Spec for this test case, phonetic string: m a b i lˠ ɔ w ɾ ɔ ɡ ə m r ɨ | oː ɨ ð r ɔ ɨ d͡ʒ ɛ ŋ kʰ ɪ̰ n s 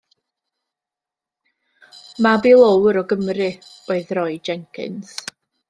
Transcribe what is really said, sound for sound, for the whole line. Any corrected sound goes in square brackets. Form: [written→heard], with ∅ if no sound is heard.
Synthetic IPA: m a b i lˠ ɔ w ɾ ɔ ɡ ə m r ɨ | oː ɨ ð r ɔ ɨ d͡ʒ ɛ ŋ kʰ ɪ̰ n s